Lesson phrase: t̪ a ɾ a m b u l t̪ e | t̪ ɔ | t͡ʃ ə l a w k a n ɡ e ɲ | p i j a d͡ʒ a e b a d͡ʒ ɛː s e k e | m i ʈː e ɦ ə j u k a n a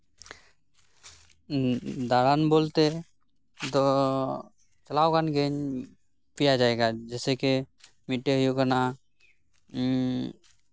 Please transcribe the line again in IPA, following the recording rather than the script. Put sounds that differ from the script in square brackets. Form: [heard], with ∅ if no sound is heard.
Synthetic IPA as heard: [d̪] a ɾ a [n] b [o] l t̪ e | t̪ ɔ | t͡ʃ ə l a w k a n ɡ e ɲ | p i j a d͡ʒ a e [ɡ] a d͡ʒ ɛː s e k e | m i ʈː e ɦ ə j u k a n a